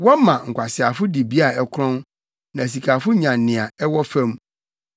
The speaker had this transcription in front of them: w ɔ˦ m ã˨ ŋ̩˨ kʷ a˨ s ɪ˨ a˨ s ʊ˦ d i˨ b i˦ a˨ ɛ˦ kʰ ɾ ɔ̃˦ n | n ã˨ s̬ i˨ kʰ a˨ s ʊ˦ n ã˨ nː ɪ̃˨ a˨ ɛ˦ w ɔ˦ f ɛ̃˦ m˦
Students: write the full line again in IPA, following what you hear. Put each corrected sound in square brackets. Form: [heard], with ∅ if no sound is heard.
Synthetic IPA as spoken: w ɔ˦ m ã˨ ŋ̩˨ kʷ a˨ s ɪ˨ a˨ [f] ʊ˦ d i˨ b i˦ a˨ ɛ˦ kʰ ɾ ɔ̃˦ n | n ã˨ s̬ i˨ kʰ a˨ [f] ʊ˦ [ɲ] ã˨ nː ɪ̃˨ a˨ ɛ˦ w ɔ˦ f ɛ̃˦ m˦